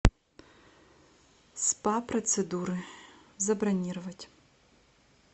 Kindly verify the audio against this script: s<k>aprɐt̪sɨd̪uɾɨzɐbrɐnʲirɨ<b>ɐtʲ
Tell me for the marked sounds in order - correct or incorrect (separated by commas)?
incorrect, incorrect